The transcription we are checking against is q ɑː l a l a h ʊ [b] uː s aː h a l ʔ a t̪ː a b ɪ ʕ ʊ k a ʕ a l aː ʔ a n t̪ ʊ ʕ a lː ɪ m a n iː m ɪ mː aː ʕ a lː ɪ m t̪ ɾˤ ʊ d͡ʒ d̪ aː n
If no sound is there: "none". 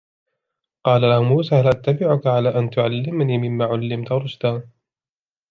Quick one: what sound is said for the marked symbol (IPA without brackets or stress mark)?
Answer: m